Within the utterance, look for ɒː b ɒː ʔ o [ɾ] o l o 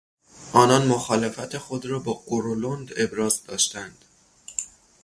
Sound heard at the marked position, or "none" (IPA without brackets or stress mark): ɾ